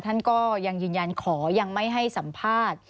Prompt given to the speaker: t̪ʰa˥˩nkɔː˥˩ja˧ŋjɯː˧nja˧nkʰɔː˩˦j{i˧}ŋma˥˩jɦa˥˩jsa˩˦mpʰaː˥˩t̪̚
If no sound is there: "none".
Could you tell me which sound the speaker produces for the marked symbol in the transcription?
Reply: a˧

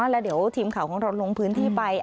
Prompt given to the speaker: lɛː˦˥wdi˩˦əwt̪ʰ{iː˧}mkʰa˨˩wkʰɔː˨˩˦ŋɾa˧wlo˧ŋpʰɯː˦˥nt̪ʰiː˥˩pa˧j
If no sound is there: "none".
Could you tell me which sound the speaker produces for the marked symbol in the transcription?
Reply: iː˧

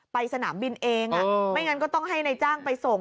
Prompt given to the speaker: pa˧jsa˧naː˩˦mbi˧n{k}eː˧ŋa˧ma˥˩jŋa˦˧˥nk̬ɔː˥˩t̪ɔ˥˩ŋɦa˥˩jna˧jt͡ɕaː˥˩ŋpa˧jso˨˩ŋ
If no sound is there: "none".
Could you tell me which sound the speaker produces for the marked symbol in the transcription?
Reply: ʔ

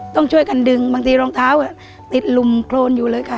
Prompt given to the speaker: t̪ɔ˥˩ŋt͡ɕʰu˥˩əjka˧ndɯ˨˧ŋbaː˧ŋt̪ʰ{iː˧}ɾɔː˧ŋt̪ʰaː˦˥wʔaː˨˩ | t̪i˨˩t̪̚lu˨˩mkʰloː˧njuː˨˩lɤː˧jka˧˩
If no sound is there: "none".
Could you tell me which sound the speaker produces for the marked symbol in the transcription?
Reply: iː˧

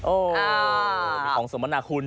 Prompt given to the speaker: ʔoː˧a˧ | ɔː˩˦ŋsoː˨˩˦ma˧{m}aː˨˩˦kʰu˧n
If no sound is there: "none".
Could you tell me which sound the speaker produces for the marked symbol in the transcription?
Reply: n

